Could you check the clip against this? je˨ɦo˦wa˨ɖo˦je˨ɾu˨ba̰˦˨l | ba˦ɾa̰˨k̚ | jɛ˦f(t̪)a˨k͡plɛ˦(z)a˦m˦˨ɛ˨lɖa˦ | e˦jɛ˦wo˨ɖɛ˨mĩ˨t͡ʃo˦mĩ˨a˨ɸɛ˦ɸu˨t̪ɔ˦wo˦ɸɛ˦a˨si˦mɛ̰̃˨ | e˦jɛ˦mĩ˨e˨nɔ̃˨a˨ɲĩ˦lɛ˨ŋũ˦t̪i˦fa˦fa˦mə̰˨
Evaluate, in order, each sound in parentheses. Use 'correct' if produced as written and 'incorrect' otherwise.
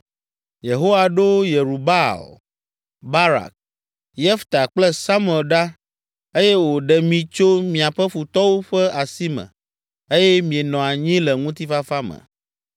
correct, incorrect

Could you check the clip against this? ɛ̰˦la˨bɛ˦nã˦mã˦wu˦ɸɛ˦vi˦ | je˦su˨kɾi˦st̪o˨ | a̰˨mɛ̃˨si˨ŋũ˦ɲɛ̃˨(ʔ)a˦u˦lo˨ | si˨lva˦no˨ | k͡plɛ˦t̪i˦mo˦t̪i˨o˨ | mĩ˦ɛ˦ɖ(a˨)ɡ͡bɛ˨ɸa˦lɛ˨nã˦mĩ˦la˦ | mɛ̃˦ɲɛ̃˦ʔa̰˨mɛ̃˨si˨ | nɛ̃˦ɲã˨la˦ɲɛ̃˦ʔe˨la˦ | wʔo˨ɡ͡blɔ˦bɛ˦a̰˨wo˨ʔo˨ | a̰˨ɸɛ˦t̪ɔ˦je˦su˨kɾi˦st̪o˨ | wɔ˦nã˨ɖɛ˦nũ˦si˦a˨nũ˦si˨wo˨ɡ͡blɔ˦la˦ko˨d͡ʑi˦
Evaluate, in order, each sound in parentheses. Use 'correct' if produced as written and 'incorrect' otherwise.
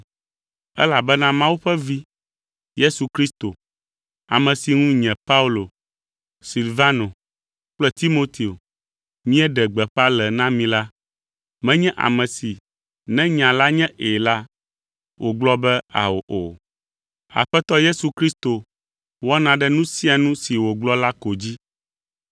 incorrect, incorrect

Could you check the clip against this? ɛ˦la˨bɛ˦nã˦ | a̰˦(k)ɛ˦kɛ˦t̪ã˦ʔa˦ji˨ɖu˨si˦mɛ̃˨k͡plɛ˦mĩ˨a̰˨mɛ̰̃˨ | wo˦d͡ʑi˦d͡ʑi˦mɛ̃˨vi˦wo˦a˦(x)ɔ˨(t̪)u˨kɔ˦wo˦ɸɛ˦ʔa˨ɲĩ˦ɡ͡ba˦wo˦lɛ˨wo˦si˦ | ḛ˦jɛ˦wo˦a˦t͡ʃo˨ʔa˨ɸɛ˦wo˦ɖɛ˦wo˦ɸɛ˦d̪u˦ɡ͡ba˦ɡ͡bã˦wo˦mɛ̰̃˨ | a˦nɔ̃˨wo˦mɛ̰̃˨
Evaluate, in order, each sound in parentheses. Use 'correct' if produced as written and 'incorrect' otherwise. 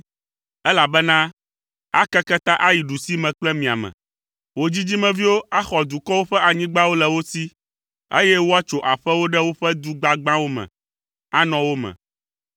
correct, correct, incorrect

